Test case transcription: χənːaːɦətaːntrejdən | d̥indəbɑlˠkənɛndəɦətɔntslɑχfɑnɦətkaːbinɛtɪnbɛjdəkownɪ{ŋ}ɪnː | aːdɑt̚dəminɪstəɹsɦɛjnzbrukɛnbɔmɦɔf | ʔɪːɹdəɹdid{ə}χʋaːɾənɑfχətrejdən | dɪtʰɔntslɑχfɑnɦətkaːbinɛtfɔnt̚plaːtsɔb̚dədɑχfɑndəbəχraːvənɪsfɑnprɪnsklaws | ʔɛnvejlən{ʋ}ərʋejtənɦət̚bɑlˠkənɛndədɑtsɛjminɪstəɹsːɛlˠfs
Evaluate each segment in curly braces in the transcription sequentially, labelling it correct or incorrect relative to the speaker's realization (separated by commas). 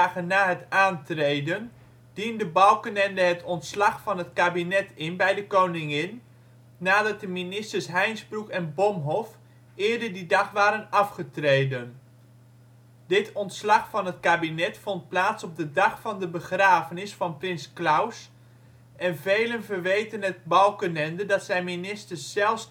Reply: correct, incorrect, incorrect